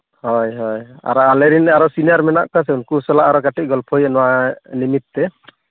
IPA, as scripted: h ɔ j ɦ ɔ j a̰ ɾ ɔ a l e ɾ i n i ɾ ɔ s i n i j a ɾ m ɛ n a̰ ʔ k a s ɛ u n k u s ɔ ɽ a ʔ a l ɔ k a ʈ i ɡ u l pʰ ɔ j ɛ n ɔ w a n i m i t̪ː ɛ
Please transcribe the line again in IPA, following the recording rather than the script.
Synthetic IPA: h ɔ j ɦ ɔ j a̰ ɾ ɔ a l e ɾ i n a ɾ ɔ s i n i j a ɾ m ɛ n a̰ ʔ k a s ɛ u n k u s ɔ l a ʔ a ɾ ɔ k a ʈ i ɡ ɔ l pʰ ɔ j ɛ n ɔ w a n i m i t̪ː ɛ